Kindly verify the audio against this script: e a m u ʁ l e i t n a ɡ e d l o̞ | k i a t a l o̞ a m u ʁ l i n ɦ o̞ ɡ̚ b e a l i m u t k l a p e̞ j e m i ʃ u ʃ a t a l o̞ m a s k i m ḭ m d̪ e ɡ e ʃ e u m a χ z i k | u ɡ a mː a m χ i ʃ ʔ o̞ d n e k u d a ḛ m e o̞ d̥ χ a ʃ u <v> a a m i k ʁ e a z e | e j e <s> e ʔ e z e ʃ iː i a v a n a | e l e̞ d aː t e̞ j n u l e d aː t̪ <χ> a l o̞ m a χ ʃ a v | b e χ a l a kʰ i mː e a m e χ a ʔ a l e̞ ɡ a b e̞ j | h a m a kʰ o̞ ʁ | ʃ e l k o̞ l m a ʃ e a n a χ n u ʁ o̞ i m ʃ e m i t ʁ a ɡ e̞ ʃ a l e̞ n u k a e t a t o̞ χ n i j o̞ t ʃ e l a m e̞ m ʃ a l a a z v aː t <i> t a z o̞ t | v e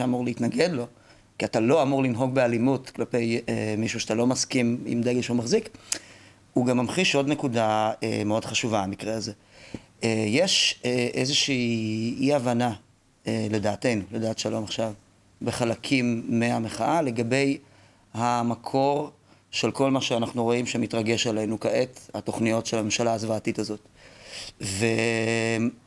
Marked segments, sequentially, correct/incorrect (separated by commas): correct, incorrect, incorrect, correct